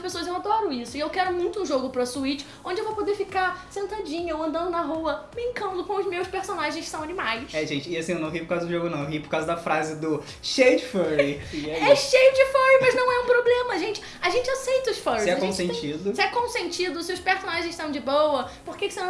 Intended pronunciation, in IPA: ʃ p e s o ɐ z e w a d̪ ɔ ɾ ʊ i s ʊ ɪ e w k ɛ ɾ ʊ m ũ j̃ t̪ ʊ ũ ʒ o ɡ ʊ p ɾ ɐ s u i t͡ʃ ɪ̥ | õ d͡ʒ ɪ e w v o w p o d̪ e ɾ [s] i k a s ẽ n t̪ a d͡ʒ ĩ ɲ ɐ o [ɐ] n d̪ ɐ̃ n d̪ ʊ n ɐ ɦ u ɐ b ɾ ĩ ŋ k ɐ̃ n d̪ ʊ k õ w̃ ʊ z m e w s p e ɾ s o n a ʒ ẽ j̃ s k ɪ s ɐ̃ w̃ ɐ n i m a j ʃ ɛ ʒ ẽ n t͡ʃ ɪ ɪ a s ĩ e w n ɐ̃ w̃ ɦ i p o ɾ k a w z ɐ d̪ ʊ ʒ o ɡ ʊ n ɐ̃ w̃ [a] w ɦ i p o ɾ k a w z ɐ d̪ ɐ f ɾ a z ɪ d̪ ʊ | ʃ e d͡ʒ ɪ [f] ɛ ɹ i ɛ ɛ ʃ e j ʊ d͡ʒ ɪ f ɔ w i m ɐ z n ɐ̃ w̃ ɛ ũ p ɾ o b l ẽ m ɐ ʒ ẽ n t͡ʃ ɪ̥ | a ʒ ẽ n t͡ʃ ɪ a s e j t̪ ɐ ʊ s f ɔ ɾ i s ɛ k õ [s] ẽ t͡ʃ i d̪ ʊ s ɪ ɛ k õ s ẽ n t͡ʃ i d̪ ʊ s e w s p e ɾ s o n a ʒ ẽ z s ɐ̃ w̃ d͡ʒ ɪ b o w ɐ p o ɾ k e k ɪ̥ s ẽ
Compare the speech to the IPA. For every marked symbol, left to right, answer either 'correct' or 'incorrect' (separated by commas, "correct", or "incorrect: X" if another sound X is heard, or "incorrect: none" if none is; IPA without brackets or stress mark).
incorrect: f, incorrect: ɐ̃, incorrect: e, correct, correct